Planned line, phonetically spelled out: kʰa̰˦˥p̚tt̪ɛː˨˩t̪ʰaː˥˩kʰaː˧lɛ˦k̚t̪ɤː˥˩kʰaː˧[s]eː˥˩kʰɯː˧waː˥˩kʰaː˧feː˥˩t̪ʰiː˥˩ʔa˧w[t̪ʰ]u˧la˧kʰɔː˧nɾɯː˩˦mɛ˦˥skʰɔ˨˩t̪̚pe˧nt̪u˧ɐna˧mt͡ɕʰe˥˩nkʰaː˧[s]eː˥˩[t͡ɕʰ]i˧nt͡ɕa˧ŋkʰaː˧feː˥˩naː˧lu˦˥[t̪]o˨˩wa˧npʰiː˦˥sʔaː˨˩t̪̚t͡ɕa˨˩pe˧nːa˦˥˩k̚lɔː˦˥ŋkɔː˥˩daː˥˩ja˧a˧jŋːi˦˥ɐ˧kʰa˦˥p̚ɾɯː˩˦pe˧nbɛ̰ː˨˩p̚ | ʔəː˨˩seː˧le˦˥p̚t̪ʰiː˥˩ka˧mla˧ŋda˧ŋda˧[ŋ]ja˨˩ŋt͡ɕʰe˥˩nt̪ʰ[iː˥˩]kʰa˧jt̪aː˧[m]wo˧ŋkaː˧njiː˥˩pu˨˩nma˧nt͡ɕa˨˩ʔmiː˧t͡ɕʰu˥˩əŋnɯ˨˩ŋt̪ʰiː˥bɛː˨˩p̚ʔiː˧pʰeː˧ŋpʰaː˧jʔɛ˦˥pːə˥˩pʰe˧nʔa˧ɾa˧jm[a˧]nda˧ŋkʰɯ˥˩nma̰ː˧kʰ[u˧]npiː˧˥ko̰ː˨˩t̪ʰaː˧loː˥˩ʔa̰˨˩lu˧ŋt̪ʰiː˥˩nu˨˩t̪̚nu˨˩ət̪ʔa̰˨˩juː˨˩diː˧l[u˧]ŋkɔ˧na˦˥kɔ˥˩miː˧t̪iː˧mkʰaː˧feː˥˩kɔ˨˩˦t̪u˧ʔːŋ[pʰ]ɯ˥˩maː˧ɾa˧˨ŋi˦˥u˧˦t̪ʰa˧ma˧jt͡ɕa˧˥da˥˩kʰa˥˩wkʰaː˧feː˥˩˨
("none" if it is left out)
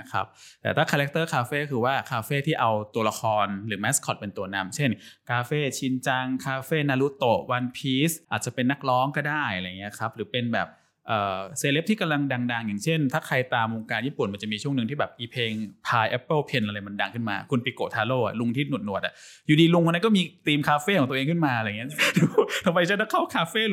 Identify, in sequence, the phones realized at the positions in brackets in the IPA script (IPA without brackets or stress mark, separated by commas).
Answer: f, t̪, f, t͡ɕʰ, t̪, ŋ, aː˥˩, m, a˧, u˧, u˧, kʰ